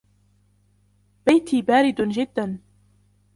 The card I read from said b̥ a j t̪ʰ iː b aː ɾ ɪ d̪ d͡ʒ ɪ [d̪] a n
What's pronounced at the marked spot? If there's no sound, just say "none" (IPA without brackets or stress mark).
d̪ː